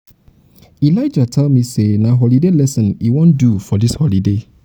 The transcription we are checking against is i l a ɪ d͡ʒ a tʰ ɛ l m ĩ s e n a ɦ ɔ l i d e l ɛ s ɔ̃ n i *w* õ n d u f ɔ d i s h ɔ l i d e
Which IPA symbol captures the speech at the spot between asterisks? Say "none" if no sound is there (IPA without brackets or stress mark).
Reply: w